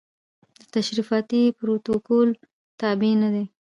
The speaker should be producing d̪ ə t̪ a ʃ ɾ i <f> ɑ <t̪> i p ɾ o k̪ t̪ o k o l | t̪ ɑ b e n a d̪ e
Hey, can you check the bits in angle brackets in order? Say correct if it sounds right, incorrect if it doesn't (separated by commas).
correct, correct